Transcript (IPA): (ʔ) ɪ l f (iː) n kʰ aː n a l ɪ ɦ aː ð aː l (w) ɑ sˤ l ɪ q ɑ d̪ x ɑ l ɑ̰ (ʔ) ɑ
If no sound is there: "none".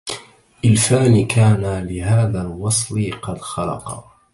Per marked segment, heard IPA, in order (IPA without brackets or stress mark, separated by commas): ʔ, aː, w, q